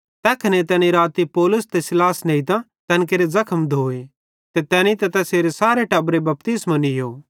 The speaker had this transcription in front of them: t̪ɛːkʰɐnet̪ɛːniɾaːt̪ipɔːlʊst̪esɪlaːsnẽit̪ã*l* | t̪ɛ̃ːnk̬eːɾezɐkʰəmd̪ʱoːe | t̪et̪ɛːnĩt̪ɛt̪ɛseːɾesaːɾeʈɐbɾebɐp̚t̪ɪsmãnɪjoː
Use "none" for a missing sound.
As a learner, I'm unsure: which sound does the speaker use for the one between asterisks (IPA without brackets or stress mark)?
none